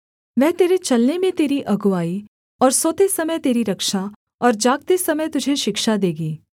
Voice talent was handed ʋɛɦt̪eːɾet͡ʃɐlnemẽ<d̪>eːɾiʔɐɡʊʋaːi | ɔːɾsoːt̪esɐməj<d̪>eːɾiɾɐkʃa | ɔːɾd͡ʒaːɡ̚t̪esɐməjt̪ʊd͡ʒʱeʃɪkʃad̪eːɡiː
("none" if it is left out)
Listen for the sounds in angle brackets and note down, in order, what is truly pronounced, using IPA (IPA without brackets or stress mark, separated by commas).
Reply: t̪, t̪